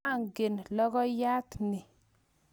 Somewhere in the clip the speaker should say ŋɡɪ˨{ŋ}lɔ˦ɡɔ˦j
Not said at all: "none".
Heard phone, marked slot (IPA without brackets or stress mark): n